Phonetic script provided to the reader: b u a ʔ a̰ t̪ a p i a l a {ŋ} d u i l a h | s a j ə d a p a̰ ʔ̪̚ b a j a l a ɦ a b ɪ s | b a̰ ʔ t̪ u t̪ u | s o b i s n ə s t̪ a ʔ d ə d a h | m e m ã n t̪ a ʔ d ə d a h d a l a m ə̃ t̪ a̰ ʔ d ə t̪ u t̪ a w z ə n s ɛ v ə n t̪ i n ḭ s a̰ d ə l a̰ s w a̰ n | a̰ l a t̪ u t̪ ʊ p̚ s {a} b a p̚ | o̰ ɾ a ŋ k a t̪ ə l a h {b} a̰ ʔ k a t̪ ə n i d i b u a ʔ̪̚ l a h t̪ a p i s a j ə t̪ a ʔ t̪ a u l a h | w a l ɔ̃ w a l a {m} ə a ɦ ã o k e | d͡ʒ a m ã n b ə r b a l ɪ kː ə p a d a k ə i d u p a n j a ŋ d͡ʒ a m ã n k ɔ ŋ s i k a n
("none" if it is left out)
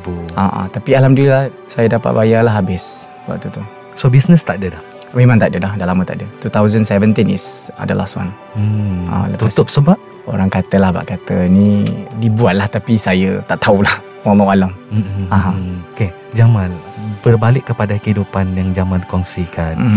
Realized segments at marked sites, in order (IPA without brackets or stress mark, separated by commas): m, ə, b, m